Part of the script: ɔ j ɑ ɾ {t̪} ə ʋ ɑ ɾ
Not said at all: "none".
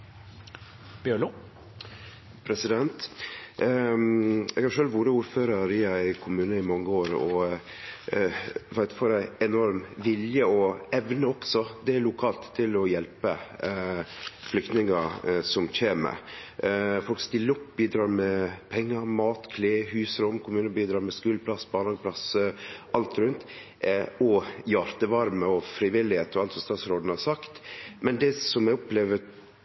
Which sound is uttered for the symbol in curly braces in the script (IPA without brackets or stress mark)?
t̪